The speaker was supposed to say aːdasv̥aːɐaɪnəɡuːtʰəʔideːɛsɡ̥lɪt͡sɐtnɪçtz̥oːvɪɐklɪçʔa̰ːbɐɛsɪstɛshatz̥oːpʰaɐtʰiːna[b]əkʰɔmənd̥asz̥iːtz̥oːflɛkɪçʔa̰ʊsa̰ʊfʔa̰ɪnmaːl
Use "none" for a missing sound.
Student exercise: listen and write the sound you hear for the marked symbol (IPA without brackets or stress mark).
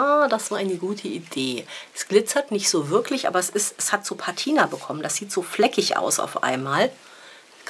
b